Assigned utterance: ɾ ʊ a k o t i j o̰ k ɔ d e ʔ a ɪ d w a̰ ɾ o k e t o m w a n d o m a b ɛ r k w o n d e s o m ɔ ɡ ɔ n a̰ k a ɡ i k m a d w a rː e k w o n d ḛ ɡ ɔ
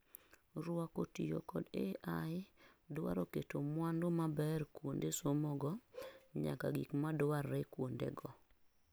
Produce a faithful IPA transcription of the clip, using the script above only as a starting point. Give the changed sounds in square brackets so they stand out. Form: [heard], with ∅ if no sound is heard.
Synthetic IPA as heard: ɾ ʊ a k o t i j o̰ k ɔ d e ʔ a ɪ d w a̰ ɾ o k e t o m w a n d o m a b ɛ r k w o n d e s o m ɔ ɡ ɔ [ɲ] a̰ k a ɡ i k m a d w a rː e k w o n d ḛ ɡ ɔ

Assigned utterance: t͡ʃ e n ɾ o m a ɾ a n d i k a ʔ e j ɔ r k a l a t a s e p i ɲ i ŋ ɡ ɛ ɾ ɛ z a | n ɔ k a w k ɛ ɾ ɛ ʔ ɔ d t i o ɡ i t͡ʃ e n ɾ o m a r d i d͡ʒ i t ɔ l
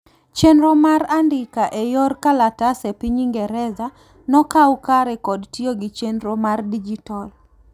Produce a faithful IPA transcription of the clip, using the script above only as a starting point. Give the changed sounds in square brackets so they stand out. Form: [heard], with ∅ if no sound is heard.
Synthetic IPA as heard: t͡ʃ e n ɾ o m a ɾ a n d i k a ʔ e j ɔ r k a l a t a s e p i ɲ i ŋ ɡ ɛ ɾ ɛ z a | n ɔ k a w k [a] ɾ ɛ [k] ɔ d t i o ɡ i t͡ʃ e n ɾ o m a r d i d͡ʒ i t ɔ l

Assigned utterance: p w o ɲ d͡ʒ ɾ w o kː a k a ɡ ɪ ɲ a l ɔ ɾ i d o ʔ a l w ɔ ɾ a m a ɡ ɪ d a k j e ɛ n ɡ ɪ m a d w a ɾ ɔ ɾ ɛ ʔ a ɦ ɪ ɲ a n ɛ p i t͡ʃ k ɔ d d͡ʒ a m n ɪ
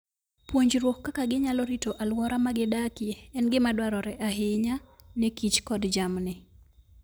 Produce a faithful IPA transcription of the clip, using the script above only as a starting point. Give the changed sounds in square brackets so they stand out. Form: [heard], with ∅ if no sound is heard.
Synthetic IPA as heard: p w o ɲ d͡ʒ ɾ w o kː a k a ɡ ɪ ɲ a l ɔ ɾ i [t] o ʔ a l w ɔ ɾ a m a ɡ ɪ d a k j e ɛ n ɡ ɪ m a d w a ɾ ɔ ɾ ɛ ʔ a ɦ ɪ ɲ a n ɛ [k] i t͡ʃ k ɔ d d͡ʒ a m n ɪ

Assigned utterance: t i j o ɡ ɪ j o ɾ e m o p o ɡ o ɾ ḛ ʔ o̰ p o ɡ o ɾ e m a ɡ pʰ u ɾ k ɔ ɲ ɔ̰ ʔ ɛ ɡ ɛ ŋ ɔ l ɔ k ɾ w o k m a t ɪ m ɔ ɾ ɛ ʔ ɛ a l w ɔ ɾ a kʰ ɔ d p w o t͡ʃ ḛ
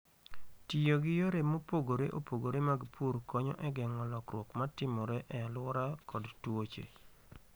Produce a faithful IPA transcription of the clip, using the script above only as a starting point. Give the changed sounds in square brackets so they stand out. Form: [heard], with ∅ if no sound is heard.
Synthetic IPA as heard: t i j o ɡ ɪ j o ɾ e m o p o ɡ o ɾ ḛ ʔ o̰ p o ɡ o ɾ e m a ɡ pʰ u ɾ k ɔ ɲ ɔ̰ ʔ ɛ ɡ ɛ ŋ ɔ l ɔ k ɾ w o k m a t ɪ m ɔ ɾ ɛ ʔ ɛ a l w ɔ ɾ a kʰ ɔ d [t] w o t͡ʃ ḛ

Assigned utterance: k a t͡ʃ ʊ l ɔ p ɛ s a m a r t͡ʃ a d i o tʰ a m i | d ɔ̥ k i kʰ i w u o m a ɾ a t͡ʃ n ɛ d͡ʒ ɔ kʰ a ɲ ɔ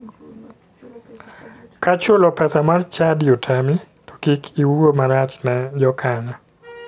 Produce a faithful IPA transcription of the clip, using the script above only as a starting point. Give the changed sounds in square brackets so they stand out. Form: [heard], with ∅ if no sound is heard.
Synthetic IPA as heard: k a t͡ʃ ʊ l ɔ p ɛ s a m a r t͡ʃ a d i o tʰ a m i | [t] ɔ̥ k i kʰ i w u o m a ɾ a t͡ʃ n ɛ d͡ʒ ɔ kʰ a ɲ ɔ

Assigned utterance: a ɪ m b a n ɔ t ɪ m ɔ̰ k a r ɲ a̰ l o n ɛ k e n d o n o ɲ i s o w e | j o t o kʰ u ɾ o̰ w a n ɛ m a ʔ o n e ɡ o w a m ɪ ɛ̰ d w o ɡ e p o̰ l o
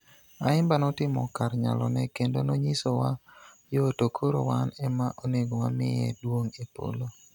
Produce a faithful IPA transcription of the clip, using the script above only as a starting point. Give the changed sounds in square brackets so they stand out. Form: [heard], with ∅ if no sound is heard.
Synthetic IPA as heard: a ɪ m b a n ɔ t ɪ m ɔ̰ k a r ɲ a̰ l [ɔ] n ɛ k e n d o n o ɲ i s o w [a] | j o t o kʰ [o] ɾ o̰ w a n ɛ m a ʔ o n e ɡ o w a m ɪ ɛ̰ d w o [ŋ] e p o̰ l o

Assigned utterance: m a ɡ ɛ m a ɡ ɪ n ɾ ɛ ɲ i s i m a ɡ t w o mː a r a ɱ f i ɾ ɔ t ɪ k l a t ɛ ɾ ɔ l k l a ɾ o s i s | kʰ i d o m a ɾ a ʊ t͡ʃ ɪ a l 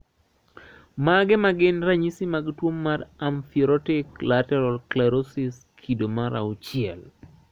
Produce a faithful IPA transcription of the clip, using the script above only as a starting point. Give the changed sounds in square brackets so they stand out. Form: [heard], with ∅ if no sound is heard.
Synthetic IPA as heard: m a ɡ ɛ m a ɡ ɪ n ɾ [a] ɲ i s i m a ɡ t w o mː a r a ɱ f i ɾ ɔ t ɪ k l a t ɛ ɾ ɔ l k l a ɾ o s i s | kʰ i d o m a ɾ a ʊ t͡ʃ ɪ [ɛ] l

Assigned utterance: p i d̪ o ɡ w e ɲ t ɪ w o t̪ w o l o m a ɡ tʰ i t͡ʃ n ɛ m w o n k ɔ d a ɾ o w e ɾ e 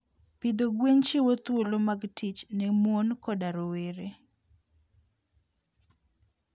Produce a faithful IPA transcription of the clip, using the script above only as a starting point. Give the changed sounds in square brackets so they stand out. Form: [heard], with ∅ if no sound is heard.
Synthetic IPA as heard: p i d̪ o ɡ w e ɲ [t͡ʃ] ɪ w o t̪ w o l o m a ɡ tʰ i t͡ʃ n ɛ m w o n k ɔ d a ɾ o w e ɾ e

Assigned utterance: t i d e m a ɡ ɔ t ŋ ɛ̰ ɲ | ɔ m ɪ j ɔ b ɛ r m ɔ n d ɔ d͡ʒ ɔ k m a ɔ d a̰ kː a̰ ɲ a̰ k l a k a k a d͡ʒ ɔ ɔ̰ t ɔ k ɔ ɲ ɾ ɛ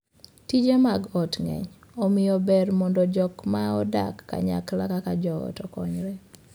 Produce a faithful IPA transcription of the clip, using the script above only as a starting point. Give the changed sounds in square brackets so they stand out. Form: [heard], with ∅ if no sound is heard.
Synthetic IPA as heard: t i [d͡ʒ] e m a ɡ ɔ t ŋ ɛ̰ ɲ | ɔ m ɪ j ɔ b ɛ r m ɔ n d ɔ d͡ʒ ɔ k m a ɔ d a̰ kː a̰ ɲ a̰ k l a k a k a d͡ʒ ɔ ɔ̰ t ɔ k ɔ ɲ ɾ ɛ

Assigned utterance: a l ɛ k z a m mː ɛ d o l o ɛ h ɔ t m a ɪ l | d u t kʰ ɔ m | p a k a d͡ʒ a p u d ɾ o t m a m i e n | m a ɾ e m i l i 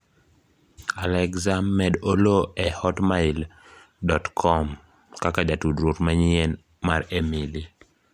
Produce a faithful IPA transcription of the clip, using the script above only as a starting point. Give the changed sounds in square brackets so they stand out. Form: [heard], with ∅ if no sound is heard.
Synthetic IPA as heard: a l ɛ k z a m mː ɛ d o l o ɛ h ɔ t m a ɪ l | d [ɔ] t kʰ ɔ m | [k] a k a d͡ʒ a [t] u d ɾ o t m a [ɲ] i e n | m a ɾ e m i l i

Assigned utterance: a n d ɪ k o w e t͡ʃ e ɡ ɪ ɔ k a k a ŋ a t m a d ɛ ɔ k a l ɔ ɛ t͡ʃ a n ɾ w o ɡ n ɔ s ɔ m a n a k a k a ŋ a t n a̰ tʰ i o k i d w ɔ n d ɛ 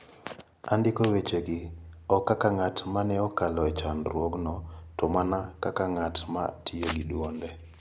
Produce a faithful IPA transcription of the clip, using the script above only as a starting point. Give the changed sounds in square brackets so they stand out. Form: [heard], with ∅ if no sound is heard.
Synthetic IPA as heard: a n d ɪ k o w e t͡ʃ e ɡ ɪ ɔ k a k a ŋ a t m a [n] ɛ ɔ k a l ɔ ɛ t͡ʃ a n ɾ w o ɡ n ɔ [t] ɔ m a n a k a k a ŋ a t [m] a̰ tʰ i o [ɡ] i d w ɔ n d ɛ

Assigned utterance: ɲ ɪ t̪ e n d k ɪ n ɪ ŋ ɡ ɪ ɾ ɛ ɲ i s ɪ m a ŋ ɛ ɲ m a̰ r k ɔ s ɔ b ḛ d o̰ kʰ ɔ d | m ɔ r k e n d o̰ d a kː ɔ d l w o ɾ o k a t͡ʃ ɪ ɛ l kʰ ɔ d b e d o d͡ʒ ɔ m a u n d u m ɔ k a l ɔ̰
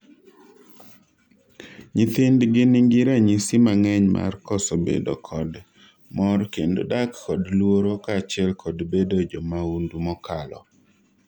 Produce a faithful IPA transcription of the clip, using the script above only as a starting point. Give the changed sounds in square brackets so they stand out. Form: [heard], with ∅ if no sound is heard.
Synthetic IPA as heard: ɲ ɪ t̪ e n d [ɡ] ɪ n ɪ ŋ ɡ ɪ ɾ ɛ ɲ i s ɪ m a ŋ ɛ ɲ m a̰ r k ɔ s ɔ b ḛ d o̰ kʰ ɔ d | m ɔ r k e n d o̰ d a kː ɔ d l w o ɾ o k a t͡ʃ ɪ ɛ l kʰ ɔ d b e d o d͡ʒ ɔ m a u n d u m ɔ k a l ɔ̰

